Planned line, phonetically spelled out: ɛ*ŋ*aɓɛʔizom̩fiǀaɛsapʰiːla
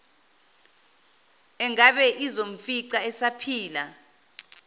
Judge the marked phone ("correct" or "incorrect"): correct